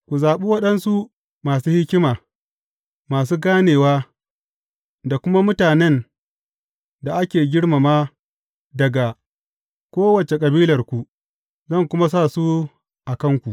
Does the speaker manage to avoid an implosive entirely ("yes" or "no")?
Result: no